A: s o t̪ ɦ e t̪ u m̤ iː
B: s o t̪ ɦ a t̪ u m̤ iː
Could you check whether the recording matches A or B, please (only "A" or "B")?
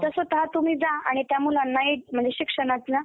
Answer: B